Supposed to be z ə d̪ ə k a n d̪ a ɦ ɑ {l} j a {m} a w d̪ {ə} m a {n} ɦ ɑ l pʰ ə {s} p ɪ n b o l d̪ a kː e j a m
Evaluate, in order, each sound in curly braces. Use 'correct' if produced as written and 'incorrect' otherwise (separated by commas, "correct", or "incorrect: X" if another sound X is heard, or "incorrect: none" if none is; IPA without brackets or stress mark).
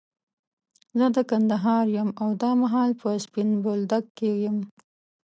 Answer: incorrect: ɾ, correct, incorrect: ɑ, incorrect: none, correct